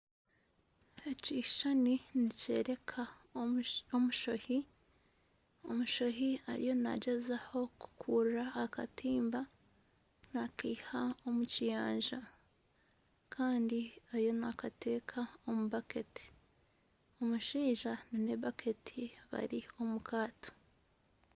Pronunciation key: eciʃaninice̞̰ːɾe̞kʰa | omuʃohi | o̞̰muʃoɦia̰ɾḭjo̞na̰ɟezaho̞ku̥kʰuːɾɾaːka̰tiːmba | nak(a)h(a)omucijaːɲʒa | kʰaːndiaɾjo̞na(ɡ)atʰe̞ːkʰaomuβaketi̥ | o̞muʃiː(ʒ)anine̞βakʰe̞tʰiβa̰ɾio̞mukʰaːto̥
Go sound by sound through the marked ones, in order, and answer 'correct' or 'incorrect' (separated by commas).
incorrect, correct, incorrect, correct